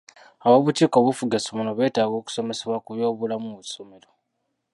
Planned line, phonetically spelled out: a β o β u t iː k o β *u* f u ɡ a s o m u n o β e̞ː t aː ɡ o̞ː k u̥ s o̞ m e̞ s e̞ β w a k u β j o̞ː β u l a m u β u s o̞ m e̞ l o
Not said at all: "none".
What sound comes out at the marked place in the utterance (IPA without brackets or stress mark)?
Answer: u